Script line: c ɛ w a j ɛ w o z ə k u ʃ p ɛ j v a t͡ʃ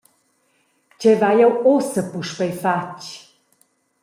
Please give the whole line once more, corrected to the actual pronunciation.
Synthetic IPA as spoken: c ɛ v a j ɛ w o s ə p u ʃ p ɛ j f a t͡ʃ